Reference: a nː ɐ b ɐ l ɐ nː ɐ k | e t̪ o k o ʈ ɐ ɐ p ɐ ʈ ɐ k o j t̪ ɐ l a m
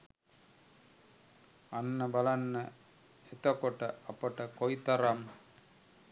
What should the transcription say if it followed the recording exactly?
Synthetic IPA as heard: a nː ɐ b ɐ l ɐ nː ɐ | e t̪ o k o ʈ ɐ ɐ p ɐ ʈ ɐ k o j t̪ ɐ ɾ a m